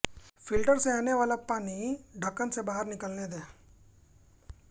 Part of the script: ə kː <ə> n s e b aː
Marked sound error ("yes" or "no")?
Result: no